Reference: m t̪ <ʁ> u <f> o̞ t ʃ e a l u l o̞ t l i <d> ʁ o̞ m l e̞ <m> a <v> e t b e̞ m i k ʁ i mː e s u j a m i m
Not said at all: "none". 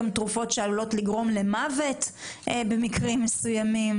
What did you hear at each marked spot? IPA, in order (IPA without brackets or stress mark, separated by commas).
ʁ, f, ɡ, m, v